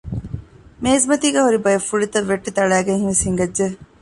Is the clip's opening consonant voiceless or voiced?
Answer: voiced